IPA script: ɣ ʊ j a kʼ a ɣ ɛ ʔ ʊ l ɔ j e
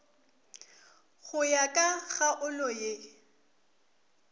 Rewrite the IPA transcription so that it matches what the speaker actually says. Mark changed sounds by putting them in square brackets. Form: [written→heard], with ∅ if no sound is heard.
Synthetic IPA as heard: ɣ ʊ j a kʼ a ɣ [ɛ→a] ʔ ʊ l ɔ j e